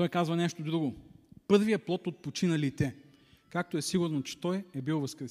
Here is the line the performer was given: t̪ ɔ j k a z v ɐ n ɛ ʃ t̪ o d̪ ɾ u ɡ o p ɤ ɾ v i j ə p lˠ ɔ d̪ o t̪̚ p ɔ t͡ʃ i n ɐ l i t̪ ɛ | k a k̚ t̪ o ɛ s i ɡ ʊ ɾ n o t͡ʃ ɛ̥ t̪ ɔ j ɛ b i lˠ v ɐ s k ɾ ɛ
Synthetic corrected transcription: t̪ ɔ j k a z v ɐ n ɛ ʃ t̪ o d̪ ɾ u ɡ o p ɤ ɾ v i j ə p lˠ ɔ t̪ o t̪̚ p o t͡ʃ i n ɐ l i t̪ ɛ | k a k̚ t̪ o ɛ s i ɡ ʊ ɾ n o t͡ʃ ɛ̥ t̪ ɔ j ɛ b i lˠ v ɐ s k ɾ ɛ